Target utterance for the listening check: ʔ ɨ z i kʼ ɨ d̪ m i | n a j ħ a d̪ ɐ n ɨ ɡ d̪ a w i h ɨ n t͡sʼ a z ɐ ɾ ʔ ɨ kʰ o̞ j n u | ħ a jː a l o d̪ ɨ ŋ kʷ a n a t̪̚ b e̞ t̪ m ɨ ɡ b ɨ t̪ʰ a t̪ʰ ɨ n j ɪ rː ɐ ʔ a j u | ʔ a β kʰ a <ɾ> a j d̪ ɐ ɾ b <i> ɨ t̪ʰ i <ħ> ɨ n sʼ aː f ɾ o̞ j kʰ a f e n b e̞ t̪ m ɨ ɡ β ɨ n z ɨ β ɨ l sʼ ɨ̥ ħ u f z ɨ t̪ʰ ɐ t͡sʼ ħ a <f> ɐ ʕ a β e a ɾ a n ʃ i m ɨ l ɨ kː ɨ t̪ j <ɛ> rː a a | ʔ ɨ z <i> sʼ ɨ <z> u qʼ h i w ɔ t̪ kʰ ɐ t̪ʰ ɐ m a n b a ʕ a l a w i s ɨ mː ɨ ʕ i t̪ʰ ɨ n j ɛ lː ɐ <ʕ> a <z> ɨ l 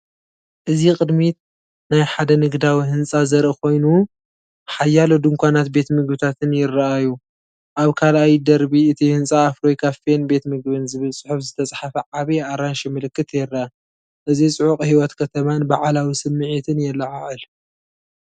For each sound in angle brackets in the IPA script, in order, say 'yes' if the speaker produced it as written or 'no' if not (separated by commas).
no, yes, no, yes, yes, yes, no, yes, no